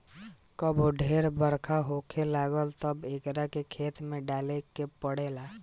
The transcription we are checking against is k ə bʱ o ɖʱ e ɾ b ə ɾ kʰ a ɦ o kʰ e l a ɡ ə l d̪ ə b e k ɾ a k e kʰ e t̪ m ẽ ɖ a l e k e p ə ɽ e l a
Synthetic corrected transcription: k ə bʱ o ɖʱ e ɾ b ə ɾ kʰ a ɦ o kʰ e l a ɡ ə l t̪ ə b e k ɾ a k e kʰ e t̪ m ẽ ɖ a l e k e p ə ɽ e l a